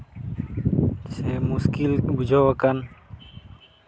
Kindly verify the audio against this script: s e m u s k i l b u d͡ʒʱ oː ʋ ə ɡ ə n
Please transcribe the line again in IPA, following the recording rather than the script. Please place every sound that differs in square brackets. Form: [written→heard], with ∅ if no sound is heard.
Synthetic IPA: s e m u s k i l b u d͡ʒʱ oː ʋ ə [ɡ→k] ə n